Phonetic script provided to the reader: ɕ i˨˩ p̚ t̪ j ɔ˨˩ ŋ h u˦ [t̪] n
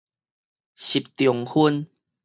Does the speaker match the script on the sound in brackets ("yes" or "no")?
no